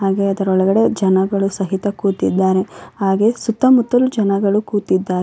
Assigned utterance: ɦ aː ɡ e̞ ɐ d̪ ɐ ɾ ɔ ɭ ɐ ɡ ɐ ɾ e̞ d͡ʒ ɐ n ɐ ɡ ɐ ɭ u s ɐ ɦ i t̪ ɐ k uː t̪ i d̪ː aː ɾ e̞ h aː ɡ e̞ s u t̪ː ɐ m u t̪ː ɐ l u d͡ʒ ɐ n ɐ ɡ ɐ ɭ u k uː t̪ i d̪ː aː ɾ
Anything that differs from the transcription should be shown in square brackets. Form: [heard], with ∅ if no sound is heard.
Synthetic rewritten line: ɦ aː ɡ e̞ ɐ d̪ ɐ ɾ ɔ ɭ ɐ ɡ ɐ [ɽ] e̞ d͡ʒ ɐ n ɐ ɡ ɐ ɭ u s ɐ ɦ i t̪ ɐ k uː t̪ i d̪ː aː ɾ e̞ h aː ɡ e̞ s u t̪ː ɐ m u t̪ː ɐ l u d͡ʒ ɐ n ɐ ɡ ɐ ɭ u k uː t̪ i d̪ː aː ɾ